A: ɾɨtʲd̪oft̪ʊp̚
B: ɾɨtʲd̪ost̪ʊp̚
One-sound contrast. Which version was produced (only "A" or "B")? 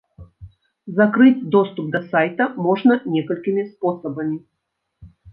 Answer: B